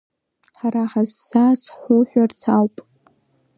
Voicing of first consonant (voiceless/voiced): voiceless